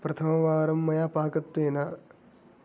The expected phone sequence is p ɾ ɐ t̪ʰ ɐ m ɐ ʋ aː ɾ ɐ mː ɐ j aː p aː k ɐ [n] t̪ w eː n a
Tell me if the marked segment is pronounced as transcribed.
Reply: no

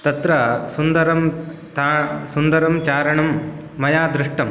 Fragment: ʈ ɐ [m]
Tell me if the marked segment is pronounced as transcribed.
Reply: yes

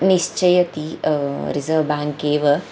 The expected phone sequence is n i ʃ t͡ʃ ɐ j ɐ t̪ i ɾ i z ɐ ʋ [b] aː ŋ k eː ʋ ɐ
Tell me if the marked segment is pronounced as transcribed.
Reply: yes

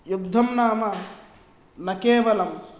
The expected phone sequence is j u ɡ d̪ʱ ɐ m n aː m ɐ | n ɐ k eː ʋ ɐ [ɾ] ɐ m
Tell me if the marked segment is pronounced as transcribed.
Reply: no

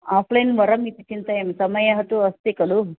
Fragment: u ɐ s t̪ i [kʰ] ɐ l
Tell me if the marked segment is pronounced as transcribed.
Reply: no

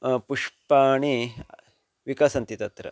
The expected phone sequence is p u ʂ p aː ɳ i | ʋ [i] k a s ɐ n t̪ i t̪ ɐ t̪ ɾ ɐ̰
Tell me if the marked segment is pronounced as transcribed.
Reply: yes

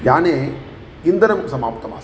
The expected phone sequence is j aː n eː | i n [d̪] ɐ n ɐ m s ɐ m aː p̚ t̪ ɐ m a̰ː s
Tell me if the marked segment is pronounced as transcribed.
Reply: yes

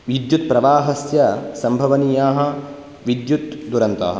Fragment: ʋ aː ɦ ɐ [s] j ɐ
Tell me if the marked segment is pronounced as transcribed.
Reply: yes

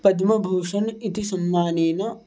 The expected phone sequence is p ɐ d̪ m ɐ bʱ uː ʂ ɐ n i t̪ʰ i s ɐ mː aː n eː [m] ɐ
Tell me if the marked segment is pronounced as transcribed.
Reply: no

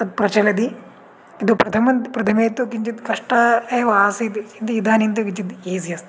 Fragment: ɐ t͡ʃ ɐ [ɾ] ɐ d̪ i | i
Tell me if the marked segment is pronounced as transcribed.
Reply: no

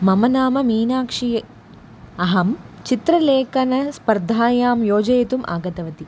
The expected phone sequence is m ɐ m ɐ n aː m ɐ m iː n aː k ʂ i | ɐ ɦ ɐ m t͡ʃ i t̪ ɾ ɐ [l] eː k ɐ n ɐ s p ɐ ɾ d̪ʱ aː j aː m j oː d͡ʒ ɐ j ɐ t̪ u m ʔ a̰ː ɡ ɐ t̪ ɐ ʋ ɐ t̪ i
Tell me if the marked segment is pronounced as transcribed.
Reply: yes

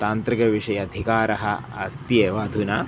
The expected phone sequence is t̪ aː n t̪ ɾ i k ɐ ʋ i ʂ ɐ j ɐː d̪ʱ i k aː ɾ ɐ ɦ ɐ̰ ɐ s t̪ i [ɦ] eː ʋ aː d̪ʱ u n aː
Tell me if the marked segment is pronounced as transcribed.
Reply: no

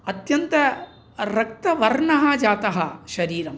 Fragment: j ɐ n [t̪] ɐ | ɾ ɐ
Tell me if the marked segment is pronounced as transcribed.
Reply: yes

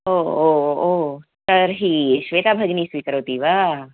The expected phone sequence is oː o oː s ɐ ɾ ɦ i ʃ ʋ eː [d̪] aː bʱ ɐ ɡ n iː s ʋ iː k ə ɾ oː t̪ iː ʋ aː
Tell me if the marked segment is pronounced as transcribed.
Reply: no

